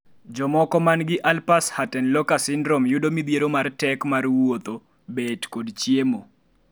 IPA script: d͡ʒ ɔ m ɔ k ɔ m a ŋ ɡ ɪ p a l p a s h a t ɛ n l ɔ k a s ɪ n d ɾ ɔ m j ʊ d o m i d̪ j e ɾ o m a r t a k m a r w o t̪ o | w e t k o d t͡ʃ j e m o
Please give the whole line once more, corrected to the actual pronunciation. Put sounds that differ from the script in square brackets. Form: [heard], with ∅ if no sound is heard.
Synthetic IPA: d͡ʒ ɔ m ɔ k ɔ m a [n] ɡ ɪ [ʔ] a l p a s h a t ɛ n l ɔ k a s ɪ n d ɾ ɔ m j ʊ d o m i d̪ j e ɾ o m a r t [ɛ] k m a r w o t̪ o | [b] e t k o d t͡ʃ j e m o